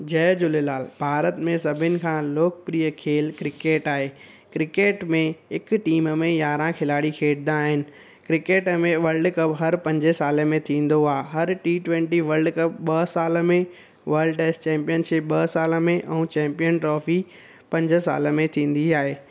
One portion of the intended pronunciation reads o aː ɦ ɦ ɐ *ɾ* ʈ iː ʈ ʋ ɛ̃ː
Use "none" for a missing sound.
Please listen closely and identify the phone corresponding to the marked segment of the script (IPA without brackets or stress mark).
ɾ